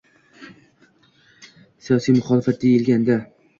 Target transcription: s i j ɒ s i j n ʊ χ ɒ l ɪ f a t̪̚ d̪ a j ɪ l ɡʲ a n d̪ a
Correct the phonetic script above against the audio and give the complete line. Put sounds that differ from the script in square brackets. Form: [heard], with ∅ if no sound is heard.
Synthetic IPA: s i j ɒ s i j [m] ʊ χ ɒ l ɪ f a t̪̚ d̪ [e] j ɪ l ɡʲ a n d̪ a